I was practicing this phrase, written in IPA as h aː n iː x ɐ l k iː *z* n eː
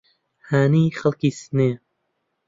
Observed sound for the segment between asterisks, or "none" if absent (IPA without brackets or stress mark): s